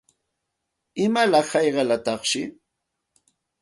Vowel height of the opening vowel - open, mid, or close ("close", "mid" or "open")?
close